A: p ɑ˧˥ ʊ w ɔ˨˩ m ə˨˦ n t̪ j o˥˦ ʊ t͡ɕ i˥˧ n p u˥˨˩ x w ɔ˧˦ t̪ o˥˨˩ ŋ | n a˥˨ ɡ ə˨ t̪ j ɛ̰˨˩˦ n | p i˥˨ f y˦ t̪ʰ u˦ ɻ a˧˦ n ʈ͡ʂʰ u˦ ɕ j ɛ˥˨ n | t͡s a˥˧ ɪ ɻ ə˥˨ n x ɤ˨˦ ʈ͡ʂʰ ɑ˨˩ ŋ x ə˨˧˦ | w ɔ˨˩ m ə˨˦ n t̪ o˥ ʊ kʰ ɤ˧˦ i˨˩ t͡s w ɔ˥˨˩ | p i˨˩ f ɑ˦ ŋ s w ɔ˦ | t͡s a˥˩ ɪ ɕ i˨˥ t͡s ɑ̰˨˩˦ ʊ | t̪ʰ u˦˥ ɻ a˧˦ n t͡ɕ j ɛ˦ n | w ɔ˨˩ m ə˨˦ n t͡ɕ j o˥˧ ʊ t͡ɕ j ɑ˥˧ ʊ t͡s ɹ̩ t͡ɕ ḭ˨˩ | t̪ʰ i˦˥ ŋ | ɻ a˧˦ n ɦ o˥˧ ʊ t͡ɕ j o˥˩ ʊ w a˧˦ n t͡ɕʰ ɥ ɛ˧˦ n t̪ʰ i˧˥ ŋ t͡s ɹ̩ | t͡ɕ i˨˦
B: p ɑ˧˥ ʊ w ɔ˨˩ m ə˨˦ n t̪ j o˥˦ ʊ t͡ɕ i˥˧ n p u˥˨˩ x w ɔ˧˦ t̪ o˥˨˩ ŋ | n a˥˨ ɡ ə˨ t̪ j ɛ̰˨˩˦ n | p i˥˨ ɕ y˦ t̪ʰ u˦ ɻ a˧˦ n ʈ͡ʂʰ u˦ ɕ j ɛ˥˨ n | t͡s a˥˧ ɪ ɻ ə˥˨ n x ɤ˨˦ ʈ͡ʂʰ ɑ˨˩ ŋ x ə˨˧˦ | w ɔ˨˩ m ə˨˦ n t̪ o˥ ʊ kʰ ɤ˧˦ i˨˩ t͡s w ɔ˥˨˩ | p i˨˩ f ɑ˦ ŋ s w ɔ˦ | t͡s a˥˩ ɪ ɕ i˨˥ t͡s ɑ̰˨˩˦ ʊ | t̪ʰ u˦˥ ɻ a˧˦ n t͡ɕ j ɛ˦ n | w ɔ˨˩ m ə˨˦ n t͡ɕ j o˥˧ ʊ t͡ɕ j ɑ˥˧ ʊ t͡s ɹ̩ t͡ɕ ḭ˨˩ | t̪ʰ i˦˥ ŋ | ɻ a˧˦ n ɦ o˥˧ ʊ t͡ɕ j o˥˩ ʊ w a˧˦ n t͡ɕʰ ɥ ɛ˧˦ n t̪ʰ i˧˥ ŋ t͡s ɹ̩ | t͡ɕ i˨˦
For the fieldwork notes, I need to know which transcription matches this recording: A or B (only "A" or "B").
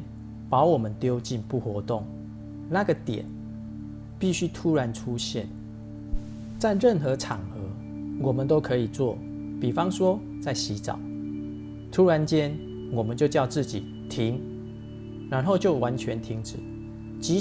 B